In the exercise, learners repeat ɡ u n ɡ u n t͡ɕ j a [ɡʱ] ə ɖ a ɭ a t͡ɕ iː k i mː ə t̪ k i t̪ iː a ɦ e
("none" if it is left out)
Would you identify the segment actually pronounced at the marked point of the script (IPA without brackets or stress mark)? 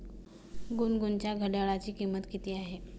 ɡʱ